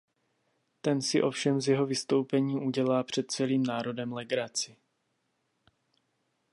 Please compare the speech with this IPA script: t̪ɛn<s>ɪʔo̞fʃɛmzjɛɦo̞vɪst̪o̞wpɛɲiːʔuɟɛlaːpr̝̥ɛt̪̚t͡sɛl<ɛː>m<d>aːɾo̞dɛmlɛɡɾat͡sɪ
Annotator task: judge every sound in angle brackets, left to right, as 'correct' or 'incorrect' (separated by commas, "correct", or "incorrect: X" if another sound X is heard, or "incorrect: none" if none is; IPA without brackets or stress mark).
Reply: correct, incorrect: iː, incorrect: n